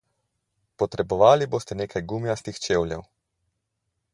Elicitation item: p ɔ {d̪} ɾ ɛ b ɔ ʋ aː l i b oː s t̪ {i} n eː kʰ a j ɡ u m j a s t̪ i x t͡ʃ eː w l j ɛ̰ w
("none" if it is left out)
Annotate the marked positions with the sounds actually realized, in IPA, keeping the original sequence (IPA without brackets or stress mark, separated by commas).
t̪, ɛ